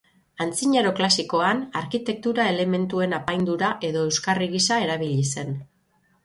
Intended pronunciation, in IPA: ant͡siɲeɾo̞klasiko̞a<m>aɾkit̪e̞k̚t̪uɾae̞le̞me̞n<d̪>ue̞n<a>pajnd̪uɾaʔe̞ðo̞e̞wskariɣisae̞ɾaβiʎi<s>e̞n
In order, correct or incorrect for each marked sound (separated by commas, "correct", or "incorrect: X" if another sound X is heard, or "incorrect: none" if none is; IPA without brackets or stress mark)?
incorrect: n, incorrect: t̪, correct, correct